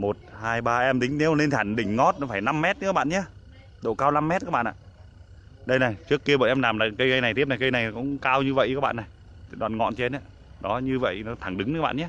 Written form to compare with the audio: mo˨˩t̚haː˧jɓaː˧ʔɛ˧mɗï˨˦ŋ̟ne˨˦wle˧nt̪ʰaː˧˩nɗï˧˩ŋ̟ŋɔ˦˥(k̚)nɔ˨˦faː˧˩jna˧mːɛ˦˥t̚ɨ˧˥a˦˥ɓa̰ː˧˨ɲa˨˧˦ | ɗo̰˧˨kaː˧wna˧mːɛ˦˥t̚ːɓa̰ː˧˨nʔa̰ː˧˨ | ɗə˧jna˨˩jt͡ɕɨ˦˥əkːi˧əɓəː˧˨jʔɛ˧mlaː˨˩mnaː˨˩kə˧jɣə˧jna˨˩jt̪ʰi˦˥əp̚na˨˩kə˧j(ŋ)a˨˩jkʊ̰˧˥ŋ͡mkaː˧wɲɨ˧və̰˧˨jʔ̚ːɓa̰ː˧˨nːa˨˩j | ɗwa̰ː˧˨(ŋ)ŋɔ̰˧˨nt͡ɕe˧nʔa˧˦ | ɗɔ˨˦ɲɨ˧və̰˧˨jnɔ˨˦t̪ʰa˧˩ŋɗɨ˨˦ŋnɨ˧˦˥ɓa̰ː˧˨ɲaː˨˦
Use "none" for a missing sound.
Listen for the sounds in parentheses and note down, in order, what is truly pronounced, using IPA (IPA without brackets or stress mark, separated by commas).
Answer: t̚, n, n